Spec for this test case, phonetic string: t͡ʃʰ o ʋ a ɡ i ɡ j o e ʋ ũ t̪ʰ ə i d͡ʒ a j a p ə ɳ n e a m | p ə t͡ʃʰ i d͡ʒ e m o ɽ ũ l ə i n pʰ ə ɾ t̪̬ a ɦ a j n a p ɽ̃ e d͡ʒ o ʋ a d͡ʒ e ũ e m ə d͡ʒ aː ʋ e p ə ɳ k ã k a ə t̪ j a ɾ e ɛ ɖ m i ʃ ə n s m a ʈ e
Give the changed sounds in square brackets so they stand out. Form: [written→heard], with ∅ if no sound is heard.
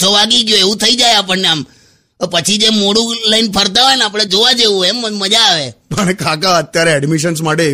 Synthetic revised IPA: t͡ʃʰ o ʋ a ɡ i ɡ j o e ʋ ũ t̪ʰ ə i d͡ʒ a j a p ə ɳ n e a m | p ə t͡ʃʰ i d͡ʒ e m o ɽ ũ l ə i n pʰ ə ɾ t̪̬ a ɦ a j n a p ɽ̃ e d͡ʒ o ʋ a d͡ʒ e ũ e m ə d͡ʒ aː ʋ e p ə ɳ k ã k a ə t̪ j a ɾ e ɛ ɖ m i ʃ ə n s m a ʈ e